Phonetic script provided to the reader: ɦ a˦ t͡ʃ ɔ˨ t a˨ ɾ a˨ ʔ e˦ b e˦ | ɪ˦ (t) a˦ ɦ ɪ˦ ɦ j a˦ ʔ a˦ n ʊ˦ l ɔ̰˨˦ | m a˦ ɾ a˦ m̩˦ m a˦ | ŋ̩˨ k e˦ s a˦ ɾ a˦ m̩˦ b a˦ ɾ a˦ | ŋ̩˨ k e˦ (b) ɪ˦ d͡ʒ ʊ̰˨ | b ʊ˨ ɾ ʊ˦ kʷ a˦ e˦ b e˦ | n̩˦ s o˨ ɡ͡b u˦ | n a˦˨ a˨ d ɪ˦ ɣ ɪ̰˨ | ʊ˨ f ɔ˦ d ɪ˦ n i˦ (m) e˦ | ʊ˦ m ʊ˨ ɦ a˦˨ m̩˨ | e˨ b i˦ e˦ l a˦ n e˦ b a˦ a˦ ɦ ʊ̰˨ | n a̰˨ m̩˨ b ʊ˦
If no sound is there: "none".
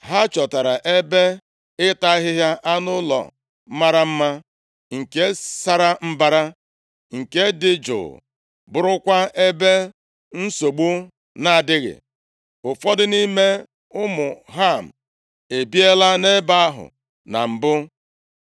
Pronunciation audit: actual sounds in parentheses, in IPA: t, d, m

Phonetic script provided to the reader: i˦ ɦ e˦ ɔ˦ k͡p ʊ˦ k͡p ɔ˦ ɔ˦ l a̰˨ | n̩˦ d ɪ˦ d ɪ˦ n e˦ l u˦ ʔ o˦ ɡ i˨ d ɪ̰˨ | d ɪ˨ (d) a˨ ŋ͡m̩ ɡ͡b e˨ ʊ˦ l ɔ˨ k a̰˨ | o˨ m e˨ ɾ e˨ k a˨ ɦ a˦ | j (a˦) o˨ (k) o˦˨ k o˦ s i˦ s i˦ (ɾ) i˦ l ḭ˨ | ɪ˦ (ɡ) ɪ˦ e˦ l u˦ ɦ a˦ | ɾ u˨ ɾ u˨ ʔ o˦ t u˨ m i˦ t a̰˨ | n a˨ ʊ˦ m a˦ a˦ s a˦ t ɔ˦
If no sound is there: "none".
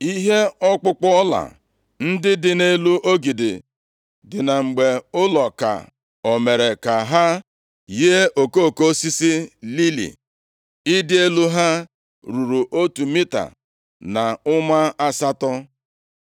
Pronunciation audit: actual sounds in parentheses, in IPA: n, e˦, k, l, d

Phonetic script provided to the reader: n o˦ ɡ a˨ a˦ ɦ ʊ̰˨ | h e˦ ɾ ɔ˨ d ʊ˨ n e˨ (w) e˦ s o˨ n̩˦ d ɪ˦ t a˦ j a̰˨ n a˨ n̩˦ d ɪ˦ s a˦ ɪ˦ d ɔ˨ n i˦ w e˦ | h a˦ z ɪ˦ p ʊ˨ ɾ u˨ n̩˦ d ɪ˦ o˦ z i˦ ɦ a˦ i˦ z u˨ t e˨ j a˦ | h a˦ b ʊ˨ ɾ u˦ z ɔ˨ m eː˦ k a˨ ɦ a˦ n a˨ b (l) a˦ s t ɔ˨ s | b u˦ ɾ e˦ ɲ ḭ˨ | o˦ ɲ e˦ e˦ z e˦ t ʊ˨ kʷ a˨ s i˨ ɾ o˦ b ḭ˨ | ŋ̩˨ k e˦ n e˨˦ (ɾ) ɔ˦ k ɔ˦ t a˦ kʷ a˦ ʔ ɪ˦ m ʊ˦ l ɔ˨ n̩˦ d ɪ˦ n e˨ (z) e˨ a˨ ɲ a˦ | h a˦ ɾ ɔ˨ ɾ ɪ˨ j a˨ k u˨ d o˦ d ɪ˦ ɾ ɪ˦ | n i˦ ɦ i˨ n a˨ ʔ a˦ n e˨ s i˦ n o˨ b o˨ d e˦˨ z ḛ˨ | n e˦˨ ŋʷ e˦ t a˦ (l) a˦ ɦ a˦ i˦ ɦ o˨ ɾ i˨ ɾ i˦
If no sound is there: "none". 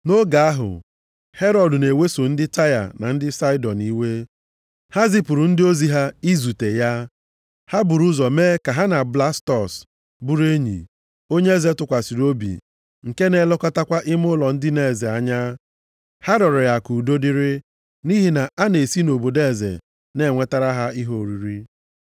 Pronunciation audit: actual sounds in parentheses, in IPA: w, l, l, z, ɾ

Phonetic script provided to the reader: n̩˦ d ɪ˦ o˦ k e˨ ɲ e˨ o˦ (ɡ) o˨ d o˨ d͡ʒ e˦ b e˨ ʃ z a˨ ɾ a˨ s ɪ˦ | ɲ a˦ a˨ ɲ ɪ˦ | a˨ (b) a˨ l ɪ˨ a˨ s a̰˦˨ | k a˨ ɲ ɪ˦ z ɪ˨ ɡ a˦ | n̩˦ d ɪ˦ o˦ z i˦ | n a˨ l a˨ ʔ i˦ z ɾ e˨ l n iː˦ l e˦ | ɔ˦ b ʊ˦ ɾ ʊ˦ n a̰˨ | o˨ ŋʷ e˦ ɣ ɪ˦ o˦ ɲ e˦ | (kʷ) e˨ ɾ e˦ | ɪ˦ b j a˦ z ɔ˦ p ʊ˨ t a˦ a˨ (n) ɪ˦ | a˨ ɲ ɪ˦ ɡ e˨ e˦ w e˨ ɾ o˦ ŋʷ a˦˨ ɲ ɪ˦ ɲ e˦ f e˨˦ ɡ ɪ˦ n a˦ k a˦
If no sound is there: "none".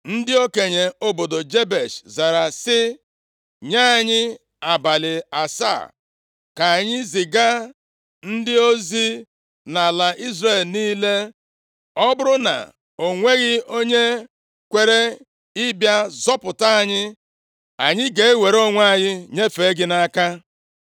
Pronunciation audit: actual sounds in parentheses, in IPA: b, b, kʷ, ɲ

